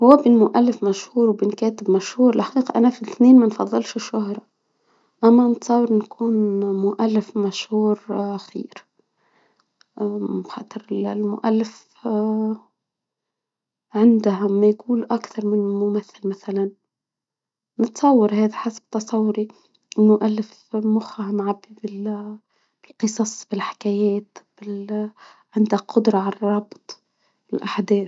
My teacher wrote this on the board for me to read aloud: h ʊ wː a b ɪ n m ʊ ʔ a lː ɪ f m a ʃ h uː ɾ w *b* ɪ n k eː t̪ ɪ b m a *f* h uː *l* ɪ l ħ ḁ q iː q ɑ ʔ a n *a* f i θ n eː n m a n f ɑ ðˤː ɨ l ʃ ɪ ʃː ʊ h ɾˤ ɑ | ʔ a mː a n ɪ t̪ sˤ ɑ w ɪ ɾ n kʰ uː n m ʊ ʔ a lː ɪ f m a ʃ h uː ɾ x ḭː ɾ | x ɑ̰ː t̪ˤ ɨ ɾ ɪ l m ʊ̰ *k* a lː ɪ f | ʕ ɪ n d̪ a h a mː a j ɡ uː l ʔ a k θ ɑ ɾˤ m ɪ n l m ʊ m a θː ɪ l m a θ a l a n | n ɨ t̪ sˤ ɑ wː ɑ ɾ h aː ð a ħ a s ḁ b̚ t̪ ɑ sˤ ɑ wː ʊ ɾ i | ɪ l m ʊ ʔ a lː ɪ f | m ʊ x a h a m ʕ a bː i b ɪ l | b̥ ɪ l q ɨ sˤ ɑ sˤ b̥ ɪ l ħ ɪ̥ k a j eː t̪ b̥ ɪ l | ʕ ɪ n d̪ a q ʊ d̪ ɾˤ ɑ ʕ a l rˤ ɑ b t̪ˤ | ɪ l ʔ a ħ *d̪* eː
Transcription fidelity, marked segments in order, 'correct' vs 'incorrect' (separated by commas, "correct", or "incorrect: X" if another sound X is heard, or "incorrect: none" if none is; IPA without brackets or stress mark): correct, incorrect: ʃ, incorrect: ɾ, correct, incorrect: ʔ, correct